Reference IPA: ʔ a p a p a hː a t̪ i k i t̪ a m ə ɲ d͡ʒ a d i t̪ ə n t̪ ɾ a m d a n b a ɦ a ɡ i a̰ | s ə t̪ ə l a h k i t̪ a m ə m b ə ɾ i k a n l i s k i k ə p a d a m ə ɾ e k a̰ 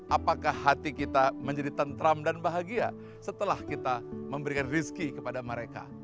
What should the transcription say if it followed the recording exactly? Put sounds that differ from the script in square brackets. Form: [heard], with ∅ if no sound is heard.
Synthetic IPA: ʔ a p a [k] a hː a t̪ i k i t̪ a m ə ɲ d͡ʒ a d i t̪ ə n t̪ ɾ a m d a n b a ɦ a ɡ i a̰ | s ə t̪ ə l a h k i t̪ a m ə m b ə ɾ i k a n [r] i s k i k ə p a d a m ə ɾ e k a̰